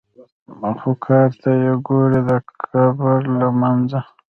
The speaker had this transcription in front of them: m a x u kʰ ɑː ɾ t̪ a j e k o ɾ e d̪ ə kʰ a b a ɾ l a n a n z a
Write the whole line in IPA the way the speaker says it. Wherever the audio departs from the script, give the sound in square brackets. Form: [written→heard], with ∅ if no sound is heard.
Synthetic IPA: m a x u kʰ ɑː ɾ t̪ a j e [k→ɡ] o ɾ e d̪ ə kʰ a b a ɾ l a [n→m] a n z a